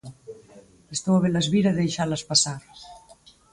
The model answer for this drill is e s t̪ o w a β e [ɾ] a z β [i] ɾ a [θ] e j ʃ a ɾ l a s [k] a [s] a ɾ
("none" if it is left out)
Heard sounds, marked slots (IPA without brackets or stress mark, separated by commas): l, i, ð, p, s